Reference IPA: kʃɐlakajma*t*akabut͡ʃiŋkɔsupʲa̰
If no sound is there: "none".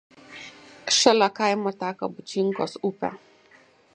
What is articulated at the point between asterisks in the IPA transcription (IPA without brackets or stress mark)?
t